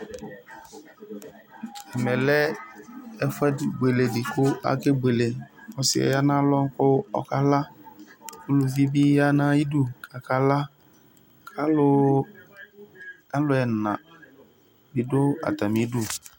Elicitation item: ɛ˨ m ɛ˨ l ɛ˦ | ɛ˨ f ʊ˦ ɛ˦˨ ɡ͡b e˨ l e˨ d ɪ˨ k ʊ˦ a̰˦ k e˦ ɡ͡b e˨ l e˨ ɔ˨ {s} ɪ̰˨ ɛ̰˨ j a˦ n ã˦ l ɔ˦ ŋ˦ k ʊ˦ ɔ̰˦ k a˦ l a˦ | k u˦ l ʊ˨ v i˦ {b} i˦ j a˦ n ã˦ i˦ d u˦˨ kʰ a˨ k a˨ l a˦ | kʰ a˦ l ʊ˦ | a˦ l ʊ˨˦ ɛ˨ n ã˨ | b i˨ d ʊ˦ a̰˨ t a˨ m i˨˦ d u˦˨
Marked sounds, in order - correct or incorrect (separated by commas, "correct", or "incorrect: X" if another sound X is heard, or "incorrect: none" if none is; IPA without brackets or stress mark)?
correct, correct